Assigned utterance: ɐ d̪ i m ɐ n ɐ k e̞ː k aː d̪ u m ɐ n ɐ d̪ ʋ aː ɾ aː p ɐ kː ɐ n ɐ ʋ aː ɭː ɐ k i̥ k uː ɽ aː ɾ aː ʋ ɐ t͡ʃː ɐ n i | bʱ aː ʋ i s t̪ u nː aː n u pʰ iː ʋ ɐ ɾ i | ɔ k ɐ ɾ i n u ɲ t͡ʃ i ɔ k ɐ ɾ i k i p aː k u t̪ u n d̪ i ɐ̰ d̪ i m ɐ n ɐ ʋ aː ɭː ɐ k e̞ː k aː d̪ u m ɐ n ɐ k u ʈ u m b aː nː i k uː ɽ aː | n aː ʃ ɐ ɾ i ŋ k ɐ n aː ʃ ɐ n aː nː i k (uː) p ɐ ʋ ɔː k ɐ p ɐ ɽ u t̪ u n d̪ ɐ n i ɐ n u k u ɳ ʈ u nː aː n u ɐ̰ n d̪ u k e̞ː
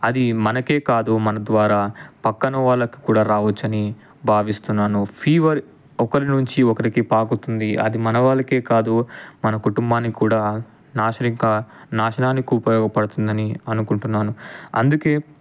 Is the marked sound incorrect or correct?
correct